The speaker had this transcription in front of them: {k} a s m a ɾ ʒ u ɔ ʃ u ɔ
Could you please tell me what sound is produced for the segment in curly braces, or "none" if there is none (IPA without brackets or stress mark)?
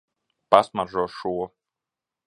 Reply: p